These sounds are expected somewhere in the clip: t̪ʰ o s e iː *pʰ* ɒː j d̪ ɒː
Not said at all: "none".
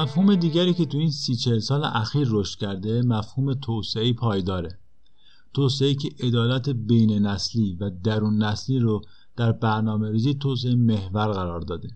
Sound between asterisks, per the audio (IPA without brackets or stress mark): pʰ